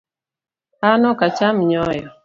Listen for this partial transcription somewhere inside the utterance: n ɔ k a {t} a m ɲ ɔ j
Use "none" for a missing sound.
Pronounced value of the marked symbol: t͡ʃ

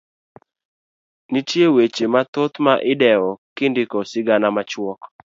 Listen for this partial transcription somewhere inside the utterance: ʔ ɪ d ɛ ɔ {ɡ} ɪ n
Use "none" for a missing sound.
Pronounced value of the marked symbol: k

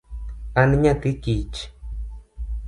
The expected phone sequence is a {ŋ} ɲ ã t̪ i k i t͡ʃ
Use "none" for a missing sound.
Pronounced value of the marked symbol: n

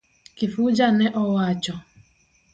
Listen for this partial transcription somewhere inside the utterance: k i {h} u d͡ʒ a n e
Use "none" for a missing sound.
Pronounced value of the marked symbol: f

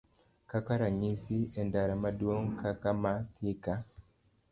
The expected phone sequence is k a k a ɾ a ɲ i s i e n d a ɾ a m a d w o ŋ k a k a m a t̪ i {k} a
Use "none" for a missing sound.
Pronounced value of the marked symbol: k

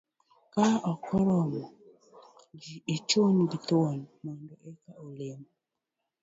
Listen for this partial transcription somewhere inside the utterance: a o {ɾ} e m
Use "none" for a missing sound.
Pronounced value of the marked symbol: l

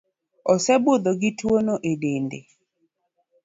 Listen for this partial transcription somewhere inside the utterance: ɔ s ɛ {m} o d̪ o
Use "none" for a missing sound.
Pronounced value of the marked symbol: b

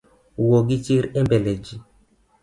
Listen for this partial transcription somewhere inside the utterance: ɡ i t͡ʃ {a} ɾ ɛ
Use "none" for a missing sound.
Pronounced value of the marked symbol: i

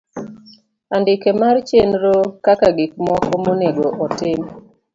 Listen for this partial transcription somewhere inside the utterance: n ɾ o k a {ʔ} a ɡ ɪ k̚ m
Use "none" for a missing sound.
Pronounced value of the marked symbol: k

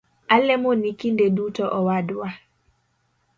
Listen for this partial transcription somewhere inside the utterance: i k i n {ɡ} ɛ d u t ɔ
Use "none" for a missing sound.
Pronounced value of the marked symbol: d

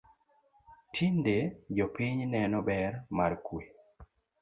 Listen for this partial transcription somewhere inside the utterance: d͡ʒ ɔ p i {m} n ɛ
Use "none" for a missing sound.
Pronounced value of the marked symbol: ɲ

